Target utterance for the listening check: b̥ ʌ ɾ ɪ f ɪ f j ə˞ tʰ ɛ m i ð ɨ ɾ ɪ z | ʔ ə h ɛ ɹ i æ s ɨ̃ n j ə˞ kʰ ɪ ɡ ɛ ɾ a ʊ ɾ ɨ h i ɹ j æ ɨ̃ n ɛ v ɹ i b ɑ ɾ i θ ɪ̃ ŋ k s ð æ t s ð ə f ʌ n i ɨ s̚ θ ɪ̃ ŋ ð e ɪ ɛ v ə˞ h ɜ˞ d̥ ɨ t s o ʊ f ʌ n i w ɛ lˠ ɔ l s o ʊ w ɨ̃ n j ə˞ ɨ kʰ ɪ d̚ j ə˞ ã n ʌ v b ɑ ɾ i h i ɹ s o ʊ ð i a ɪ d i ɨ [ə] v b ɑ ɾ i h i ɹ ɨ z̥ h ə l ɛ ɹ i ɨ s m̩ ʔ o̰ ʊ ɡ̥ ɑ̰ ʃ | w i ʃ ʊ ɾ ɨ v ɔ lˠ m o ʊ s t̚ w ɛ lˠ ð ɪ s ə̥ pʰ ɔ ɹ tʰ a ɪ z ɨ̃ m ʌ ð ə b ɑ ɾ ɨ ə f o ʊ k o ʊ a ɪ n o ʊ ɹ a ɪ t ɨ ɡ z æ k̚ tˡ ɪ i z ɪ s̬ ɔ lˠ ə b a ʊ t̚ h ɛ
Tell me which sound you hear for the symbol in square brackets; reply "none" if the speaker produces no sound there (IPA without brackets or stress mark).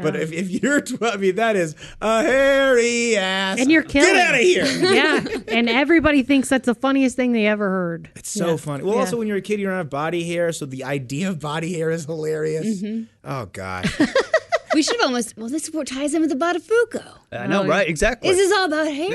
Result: ʌ